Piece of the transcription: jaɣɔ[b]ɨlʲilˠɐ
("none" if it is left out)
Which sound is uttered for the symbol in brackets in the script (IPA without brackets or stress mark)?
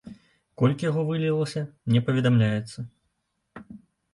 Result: v